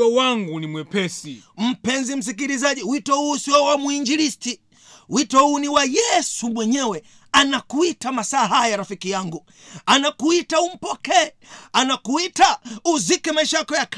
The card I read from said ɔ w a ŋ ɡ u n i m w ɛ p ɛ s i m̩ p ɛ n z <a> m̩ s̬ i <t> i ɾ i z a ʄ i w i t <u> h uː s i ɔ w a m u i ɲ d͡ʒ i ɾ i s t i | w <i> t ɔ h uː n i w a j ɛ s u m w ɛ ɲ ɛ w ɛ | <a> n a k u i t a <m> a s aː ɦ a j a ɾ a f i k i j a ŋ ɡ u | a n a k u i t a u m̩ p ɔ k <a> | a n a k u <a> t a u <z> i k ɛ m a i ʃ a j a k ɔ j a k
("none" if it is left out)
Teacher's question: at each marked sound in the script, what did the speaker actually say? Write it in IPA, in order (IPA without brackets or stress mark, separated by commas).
i, k, ɔ, i, a, m, ɛ, i, z